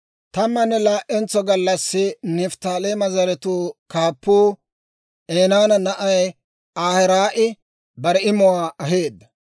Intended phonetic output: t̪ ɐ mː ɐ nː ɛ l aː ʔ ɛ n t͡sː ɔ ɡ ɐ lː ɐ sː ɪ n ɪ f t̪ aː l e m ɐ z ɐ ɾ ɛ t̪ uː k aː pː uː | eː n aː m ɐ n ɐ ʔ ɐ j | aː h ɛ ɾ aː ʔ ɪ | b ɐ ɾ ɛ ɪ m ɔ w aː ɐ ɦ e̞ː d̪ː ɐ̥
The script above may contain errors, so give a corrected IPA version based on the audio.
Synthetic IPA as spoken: t̪ ɐ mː ɐ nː ɛ l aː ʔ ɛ n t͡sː ɔ ɡ ɐ lː ɐ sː ɪ n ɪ f t̪ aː l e m ɐ z ɐ ɾ ɛ t̪ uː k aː pː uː | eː n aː n ɐ n ɐ ʔ ɐ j | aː h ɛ ɾ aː ʔ ɪ | b ɐ ɾ ɛ ɪ m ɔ w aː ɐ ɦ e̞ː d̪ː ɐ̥